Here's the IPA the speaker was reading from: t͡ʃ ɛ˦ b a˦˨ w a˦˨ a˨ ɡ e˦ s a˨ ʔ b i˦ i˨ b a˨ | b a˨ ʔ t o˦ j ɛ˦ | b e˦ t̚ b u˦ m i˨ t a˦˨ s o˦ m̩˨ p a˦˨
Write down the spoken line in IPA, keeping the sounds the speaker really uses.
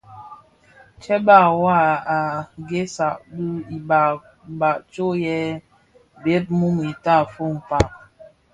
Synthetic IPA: t͡ʃ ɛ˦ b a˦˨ w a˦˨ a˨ ɡ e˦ s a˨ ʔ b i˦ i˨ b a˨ | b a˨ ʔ t͡ʃ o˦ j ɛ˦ | b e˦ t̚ m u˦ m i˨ t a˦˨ f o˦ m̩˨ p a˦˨